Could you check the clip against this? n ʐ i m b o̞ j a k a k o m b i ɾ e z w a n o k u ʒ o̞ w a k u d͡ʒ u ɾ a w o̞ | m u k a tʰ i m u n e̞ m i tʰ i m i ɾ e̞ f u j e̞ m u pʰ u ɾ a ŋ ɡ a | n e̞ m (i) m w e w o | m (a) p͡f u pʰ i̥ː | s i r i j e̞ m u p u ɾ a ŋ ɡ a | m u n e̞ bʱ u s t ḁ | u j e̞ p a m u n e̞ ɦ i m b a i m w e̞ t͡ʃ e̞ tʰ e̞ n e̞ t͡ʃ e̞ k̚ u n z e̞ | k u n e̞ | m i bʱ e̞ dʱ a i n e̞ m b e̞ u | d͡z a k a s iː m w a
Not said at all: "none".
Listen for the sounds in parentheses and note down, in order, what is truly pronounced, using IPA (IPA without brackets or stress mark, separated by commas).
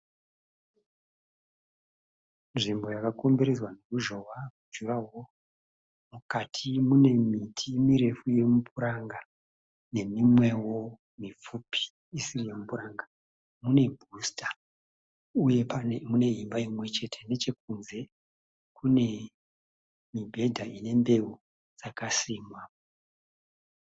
i, i